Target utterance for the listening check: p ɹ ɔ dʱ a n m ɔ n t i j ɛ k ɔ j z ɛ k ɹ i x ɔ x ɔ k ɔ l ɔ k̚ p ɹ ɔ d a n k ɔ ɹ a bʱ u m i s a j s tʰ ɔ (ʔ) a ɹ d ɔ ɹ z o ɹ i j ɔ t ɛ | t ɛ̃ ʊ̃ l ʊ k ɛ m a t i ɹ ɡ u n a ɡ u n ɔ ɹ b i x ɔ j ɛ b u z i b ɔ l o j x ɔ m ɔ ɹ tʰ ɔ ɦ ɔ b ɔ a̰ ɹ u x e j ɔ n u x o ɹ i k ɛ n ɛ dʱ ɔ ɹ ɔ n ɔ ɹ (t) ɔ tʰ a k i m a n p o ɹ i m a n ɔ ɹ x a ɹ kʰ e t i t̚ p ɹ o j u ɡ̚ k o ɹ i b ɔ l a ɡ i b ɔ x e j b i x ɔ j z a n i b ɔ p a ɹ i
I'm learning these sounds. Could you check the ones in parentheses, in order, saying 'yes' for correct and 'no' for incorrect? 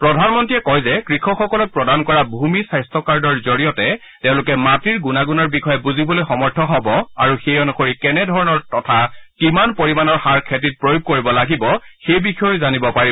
no, yes

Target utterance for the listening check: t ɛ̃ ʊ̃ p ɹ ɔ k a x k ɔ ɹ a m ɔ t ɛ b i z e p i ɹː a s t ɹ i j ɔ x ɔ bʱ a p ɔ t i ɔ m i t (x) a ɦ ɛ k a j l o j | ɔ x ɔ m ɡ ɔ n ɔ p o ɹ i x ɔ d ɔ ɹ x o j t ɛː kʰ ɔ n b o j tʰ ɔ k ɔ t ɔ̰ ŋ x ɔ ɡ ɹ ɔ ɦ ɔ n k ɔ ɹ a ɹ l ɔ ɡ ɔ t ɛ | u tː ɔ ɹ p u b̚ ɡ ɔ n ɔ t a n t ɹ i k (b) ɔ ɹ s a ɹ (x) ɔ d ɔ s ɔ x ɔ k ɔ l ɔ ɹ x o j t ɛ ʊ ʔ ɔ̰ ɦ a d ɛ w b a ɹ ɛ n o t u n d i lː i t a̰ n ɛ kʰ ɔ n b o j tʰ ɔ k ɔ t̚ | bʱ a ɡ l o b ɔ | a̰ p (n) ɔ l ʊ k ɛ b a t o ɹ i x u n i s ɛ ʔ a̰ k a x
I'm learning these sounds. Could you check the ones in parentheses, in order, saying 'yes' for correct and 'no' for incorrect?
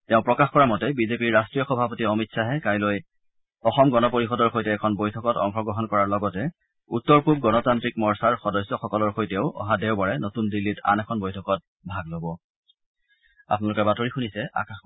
no, no, yes, yes

